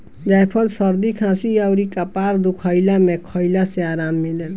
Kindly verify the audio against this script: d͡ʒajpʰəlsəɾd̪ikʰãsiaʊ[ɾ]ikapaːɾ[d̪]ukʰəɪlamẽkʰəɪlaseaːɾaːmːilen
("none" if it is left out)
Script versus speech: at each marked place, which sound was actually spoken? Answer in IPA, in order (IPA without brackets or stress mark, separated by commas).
ɾ, d̪